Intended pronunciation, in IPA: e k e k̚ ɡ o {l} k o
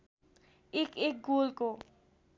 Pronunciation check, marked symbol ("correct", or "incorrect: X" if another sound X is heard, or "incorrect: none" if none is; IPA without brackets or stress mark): correct